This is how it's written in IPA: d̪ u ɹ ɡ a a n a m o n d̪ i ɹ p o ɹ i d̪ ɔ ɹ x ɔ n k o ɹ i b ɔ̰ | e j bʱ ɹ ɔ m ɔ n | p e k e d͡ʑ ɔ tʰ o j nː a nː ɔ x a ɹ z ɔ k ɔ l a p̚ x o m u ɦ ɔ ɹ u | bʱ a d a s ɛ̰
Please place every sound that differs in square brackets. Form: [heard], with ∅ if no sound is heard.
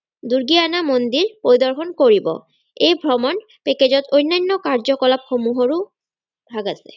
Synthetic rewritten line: d̪ u ɹ ɡ [i] a n a m o n d̪ i ɹ p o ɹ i d̪ ɔ ɹ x ɔ n k o ɹ i b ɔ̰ | e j bʱ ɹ ɔ m ɔ n | p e k e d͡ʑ ɔ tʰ o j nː a nː ɔ [k] a ɹ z ɔ k ɔ l a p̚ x o m u ɦ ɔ ɹ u | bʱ a [ɡ] a s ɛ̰